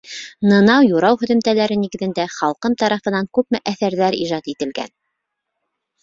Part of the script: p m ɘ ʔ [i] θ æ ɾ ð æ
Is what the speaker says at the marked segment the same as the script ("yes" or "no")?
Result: no